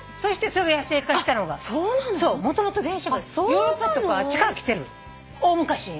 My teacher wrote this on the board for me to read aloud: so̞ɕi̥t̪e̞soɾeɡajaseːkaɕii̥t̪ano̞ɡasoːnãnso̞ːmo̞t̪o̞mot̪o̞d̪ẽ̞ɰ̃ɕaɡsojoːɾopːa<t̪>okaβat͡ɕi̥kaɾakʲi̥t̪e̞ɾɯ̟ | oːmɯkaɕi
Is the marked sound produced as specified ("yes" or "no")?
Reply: yes